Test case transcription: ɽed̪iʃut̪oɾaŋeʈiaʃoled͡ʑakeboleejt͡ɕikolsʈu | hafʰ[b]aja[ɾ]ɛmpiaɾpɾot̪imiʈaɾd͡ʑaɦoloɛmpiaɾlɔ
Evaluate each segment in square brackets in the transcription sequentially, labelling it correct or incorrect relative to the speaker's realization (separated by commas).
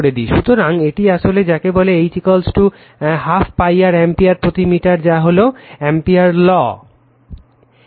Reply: incorrect, correct